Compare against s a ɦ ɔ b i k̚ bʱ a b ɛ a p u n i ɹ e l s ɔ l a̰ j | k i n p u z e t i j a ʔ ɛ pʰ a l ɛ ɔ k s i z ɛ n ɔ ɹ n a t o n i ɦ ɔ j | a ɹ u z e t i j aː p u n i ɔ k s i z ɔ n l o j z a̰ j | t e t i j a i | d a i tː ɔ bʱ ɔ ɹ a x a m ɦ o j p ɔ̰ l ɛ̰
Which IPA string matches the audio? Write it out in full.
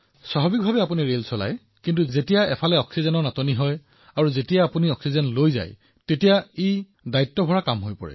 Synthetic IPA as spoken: s a ɦ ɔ b i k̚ bʱ a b ɛ a p u n i ɹ e l s ɔ l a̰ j | k i n t u z e t i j a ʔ ɛ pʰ a l ɛ ɔ k s i z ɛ n ɔ ɹ n a t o n i ɦ ɔ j | a ɹ u z e t i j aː p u n i ɔ k s i z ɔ n l o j z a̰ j | t e t i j a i | d a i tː ɔ bʱ ɔ ɹ a k a m ɦ o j p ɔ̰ ɹ ɛ̰